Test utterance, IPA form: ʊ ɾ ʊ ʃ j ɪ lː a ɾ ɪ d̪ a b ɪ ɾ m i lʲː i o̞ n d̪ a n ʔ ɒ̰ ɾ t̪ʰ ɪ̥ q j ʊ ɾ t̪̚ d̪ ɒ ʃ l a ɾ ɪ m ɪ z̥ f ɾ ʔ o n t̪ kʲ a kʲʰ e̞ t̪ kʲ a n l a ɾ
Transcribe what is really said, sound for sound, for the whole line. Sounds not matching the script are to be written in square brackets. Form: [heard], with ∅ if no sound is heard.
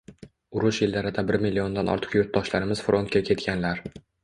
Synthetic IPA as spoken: ʊ ɾ ʊ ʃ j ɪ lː a ɾ ɪ d̪ a b ɪ ɾ m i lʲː i o̞ n d̪ a n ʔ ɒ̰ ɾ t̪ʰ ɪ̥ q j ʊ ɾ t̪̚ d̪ ɒ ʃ l a ɾ ɪ m ɪ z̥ f ɾ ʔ o n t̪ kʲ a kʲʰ e̞ t̪ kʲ a n l a ɾ